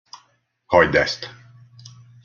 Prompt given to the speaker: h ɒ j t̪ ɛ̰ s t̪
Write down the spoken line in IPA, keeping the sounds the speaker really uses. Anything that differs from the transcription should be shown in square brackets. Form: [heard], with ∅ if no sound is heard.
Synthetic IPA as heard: h ɒ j [d̪] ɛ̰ s t̪